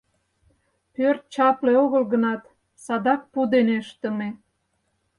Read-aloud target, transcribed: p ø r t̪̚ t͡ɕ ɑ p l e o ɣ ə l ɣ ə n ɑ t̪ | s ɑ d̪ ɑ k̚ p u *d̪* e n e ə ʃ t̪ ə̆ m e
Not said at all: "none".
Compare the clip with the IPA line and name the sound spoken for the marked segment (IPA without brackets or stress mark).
d̪